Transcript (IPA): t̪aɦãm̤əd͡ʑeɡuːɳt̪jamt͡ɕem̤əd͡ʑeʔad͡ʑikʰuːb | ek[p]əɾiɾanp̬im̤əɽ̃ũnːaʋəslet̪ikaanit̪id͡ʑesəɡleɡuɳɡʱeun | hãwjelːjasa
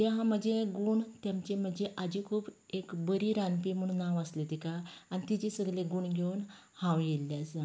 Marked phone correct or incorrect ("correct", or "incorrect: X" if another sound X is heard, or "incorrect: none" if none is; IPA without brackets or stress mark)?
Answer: incorrect: b